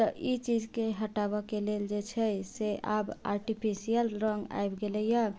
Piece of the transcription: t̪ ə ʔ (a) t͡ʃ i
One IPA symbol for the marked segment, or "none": i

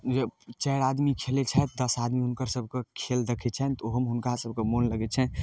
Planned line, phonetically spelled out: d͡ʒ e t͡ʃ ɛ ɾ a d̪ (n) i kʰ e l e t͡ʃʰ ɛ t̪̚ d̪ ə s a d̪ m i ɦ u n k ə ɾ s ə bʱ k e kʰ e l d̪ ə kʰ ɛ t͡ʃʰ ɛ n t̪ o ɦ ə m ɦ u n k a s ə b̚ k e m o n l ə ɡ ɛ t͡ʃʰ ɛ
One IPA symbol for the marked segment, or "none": m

